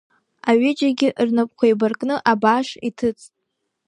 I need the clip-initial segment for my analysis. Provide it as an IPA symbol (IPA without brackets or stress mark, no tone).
a